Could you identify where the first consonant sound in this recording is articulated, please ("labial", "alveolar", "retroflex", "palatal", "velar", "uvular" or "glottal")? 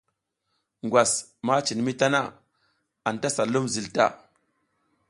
velar